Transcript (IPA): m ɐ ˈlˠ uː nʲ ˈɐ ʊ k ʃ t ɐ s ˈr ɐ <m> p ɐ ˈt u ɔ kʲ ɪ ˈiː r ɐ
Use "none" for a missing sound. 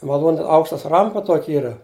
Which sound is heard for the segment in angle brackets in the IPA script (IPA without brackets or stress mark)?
m